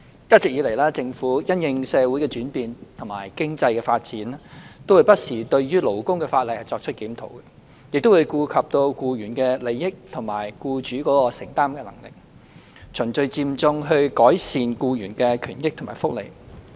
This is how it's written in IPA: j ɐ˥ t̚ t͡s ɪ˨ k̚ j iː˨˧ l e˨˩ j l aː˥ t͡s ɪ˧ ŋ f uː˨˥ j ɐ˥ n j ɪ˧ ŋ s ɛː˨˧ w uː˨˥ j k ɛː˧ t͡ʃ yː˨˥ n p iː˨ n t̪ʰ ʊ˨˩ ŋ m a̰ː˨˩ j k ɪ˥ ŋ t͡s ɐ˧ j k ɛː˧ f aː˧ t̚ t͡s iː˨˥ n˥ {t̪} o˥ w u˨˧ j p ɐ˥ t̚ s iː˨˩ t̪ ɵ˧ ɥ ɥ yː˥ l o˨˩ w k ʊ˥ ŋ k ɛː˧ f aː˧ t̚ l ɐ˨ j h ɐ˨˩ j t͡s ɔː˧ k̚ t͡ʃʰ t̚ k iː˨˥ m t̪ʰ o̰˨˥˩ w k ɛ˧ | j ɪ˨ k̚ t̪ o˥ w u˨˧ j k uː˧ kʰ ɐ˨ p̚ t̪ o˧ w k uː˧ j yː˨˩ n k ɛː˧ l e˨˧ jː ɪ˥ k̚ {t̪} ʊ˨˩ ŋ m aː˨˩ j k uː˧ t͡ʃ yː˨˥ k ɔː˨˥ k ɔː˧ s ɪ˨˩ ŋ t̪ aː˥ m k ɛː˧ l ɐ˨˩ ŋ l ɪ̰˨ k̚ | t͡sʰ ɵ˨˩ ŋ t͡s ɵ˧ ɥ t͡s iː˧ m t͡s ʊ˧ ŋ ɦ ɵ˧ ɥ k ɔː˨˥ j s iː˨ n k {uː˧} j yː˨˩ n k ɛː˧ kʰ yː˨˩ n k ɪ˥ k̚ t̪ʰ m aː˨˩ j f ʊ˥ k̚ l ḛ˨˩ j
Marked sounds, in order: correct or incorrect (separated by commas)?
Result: correct, incorrect, correct